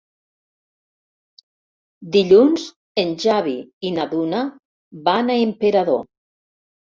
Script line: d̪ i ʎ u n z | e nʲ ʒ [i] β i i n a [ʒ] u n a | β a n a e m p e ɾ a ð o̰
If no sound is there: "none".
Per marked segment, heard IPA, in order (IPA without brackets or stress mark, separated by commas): a, ð